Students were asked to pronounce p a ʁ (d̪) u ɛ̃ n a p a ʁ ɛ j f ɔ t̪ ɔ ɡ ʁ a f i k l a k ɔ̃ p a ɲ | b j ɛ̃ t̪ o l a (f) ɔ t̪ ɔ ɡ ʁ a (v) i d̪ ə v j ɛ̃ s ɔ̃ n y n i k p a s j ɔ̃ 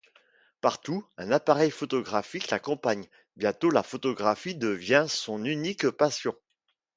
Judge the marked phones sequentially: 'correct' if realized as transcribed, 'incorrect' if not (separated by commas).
incorrect, correct, incorrect